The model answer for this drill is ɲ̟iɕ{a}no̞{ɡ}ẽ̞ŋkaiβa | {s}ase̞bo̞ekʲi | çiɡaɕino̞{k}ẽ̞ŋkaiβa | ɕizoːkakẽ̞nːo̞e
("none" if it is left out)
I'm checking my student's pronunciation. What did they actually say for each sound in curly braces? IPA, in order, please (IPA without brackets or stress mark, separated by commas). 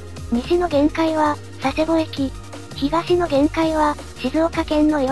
i, ɡ, s, ɡ